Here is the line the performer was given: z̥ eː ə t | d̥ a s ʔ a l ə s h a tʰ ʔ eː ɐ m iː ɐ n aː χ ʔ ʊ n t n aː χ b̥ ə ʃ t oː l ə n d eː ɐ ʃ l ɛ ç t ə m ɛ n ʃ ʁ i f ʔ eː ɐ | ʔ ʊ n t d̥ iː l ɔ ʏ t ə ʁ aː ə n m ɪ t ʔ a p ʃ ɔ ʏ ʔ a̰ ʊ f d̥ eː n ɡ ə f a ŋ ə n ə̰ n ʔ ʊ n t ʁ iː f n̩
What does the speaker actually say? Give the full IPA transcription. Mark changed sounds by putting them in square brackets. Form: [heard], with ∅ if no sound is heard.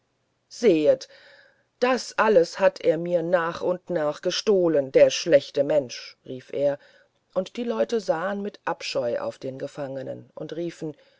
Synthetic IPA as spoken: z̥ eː ə t | d̥ a s ʔ a l ə s h a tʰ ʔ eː ɐ m iː ɐ n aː χ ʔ ʊ n t n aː χ [ɡ̥] ə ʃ t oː l ə n d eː ɐ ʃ l ɛ ç t ə m ɛ n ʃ ʁ [iː] f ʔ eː ɐ | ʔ ʊ n t d̥ iː l ɔ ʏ t ə [z] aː ə n m ɪ t ʔ a p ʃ ɔ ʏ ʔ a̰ ʊ f d̥ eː n ɡ ə f a ŋ ə n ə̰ n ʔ ʊ n t ʁ iː f n̩